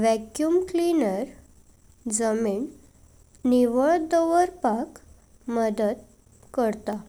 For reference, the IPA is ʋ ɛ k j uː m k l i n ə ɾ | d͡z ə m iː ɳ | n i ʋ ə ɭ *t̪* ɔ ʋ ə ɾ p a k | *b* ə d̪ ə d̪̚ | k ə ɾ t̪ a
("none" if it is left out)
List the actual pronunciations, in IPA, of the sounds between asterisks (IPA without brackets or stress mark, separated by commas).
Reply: d̪, m